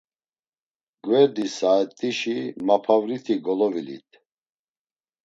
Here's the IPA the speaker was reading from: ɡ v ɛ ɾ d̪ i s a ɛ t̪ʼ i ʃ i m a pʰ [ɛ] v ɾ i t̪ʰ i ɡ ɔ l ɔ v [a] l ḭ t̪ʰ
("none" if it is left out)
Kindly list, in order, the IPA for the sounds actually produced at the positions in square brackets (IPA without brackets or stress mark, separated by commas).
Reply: a, i